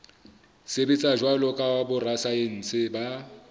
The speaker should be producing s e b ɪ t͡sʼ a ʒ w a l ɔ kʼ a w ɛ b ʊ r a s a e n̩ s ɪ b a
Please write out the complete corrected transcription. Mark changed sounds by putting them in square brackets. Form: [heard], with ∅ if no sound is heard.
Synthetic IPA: s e b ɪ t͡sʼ a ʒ w a l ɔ kʼ a w [a] b ʊ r a s a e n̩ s ɪ b a